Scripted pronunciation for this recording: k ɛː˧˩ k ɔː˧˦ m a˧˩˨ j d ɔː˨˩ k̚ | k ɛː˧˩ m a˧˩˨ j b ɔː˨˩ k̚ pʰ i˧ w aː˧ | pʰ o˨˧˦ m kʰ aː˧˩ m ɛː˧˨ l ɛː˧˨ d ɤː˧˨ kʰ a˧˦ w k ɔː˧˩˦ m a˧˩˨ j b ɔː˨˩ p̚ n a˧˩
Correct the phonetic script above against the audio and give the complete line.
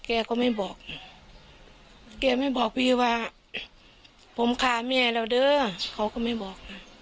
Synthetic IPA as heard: k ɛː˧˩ k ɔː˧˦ m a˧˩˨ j b ɔː˨˩ k̚ | k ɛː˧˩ m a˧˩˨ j b ɔː˨˩ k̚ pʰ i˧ w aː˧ | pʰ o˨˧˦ m kʰ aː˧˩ m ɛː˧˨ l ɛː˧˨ d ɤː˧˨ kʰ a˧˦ w k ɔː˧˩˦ m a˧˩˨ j b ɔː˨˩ k̚ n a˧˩